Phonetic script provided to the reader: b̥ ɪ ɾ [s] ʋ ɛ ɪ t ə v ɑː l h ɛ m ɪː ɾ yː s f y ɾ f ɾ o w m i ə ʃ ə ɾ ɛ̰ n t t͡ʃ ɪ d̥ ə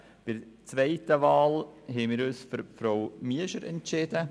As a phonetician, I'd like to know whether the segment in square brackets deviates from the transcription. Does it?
yes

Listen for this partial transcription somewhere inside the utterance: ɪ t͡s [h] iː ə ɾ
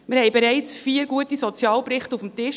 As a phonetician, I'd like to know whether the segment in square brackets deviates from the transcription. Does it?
yes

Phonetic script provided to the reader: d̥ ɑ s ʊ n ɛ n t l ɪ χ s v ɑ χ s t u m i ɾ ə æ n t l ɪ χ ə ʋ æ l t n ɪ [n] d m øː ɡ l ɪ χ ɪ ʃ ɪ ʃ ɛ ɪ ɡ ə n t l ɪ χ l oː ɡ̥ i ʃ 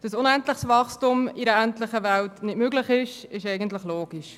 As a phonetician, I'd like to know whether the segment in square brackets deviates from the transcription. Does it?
yes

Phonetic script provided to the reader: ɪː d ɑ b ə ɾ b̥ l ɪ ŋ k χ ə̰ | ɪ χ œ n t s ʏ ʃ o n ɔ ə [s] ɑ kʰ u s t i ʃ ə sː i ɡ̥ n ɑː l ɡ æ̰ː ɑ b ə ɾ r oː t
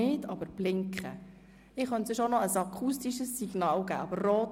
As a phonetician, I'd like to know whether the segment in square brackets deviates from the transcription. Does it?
no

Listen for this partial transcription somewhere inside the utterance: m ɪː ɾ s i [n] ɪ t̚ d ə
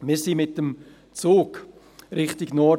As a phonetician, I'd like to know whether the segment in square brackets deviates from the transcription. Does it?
yes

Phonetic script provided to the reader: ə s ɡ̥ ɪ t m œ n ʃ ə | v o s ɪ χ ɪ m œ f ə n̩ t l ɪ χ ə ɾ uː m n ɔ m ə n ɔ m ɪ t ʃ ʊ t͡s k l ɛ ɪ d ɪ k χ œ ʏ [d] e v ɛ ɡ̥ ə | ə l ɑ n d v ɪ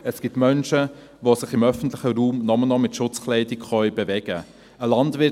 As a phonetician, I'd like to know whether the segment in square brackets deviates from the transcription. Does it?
yes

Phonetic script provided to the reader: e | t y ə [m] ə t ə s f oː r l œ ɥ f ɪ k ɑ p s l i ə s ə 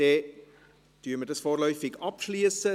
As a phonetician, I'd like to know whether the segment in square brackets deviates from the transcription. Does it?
no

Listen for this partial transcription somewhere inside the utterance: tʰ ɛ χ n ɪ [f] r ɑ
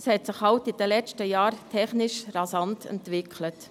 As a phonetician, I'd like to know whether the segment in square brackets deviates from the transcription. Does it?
yes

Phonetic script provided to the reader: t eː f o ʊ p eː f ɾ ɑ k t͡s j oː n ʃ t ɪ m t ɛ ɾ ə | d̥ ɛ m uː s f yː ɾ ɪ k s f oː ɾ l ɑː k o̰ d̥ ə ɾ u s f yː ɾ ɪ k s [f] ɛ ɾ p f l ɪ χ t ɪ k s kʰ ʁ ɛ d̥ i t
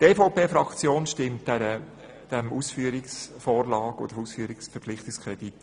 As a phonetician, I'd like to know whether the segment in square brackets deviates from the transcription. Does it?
no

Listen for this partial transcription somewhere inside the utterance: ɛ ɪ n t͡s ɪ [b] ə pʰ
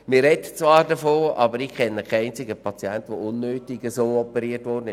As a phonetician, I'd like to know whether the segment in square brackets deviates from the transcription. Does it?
yes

